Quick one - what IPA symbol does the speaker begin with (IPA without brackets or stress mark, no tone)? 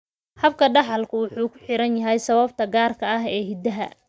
h